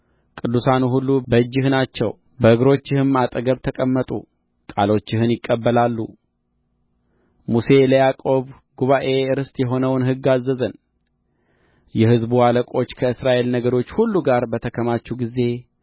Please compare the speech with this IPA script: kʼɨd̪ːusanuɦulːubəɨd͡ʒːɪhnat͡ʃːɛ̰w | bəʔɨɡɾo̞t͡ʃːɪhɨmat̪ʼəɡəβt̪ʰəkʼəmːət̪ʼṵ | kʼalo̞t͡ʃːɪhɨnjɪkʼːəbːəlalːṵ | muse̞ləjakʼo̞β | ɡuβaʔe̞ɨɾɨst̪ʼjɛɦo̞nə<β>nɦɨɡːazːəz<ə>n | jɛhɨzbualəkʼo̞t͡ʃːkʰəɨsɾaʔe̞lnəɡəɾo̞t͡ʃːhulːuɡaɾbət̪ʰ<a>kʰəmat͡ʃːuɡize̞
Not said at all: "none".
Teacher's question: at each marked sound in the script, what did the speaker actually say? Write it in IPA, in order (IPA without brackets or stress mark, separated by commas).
w, ə, ə